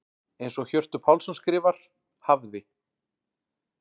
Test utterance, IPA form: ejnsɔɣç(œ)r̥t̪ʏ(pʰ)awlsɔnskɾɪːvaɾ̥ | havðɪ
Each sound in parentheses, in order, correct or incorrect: correct, correct

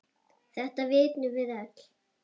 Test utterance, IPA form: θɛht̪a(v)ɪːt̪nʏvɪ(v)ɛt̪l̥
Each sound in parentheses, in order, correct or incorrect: correct, incorrect: ð

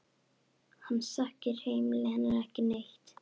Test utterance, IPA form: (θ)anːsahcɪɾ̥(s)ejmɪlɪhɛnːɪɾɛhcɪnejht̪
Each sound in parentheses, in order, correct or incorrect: incorrect: h, incorrect: h

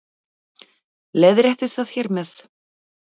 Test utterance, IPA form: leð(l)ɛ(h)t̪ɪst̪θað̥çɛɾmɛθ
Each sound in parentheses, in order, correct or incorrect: incorrect: ɾ, correct

